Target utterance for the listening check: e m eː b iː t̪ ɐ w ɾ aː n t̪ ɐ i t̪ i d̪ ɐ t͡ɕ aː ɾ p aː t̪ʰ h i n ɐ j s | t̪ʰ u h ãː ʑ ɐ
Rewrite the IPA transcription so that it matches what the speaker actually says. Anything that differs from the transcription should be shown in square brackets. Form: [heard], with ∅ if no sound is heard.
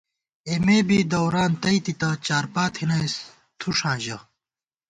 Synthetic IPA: e m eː b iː [d̪] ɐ w ɾ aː n t̪ ɐ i t̪ i [t̪] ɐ t͡ɕ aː ɾ p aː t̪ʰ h i n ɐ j s | t̪ʰ u [ʂ] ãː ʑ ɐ